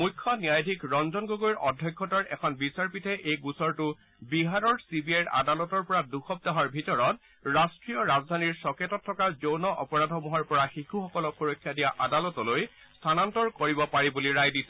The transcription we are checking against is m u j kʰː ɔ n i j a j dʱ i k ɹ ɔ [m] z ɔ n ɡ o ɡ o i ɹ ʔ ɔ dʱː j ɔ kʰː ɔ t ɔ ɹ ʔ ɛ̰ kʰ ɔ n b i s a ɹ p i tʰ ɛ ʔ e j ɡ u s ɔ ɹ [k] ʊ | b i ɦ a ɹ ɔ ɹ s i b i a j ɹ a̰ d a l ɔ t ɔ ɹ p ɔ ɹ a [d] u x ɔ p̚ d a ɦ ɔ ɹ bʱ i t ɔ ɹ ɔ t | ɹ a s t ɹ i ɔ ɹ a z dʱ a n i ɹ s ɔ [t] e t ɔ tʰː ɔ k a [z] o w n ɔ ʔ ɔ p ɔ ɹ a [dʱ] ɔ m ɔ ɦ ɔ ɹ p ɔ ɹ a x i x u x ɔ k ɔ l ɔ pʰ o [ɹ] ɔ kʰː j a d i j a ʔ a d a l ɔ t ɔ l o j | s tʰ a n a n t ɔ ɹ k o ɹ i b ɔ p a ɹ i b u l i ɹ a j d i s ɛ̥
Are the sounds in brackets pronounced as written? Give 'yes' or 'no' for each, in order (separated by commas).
no, no, yes, no, yes, yes, yes